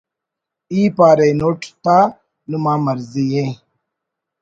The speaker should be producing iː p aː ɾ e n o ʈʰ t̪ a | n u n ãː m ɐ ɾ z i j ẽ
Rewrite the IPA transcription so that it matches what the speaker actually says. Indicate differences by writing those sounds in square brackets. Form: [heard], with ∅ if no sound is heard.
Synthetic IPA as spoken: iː p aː ɾ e n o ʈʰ t̪ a | n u [m] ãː m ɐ ɾ z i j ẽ